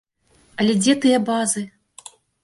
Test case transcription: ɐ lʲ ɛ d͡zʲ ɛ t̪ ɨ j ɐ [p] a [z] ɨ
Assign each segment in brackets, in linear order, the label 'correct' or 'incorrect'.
incorrect, correct

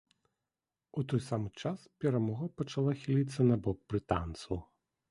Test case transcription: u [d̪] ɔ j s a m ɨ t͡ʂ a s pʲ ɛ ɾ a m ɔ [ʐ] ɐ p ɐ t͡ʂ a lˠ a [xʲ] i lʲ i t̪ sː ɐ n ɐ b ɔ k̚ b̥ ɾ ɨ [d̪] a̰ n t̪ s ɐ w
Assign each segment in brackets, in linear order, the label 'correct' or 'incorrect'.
incorrect, incorrect, correct, incorrect

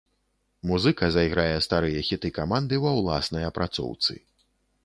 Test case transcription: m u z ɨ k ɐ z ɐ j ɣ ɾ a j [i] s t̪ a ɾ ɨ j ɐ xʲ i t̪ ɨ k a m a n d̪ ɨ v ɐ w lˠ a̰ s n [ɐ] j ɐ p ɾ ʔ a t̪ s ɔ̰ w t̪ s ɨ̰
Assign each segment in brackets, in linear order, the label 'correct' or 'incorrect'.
incorrect, correct

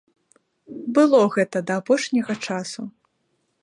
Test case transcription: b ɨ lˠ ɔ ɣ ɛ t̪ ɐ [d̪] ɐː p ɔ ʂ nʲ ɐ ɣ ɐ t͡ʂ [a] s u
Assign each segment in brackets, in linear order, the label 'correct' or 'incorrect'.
correct, correct

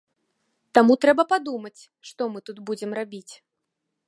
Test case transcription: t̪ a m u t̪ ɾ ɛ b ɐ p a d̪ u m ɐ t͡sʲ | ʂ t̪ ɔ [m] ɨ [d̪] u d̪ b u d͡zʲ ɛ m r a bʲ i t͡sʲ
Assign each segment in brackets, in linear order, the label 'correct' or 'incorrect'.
correct, incorrect

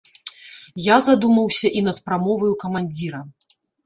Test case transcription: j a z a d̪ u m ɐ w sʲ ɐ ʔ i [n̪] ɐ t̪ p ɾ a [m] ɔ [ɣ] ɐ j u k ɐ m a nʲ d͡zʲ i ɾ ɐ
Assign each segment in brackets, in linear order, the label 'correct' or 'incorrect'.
correct, correct, incorrect

